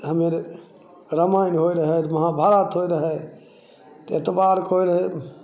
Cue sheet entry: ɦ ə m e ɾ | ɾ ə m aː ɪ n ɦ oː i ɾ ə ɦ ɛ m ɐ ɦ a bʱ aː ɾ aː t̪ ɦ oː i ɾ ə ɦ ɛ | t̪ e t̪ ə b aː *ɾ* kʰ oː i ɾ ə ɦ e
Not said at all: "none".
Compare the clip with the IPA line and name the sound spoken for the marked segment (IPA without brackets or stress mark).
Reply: ɾ